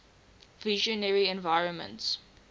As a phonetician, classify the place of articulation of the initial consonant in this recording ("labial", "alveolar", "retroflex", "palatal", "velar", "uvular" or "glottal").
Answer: labial